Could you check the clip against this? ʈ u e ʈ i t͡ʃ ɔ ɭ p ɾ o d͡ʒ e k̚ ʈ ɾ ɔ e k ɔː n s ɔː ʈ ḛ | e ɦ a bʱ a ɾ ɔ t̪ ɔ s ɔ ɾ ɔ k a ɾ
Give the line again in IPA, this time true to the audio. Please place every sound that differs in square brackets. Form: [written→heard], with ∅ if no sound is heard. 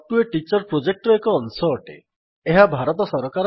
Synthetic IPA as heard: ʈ u e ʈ i t͡ʃ ɔ [ɭ→ɾ] p ɾ o d͡ʒ e k̚ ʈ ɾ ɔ e k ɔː n s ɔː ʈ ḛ | e ɦ a bʱ a ɾ ɔ t̪ ɔ s ɔ ɾ ɔ k a ɾ